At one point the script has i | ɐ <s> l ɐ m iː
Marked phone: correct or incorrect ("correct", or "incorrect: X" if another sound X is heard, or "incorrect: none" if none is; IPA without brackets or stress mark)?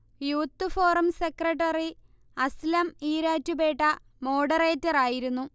correct